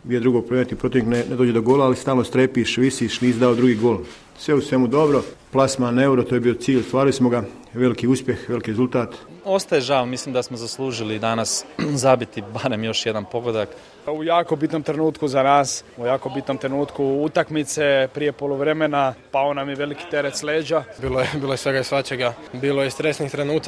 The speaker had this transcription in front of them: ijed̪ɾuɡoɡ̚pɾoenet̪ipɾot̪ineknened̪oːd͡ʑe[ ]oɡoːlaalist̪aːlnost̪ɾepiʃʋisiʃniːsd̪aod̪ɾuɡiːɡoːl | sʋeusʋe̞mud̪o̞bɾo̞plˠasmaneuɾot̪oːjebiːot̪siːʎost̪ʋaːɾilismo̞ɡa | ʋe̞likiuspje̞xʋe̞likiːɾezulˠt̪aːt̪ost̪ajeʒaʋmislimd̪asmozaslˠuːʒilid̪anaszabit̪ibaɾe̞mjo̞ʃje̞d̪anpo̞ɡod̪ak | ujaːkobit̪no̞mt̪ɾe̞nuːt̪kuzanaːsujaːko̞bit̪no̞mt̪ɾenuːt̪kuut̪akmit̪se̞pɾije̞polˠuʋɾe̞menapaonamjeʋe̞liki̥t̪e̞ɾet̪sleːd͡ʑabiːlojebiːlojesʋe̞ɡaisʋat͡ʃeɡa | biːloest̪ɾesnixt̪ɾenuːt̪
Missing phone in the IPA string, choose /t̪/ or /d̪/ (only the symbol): d̪